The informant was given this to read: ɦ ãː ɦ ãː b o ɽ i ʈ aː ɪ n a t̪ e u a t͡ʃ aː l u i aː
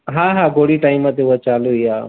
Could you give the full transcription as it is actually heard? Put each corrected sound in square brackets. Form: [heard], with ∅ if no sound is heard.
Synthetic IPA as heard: ɦ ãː ɦ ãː [ɡ] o ɽ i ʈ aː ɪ [m] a t̪ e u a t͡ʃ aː l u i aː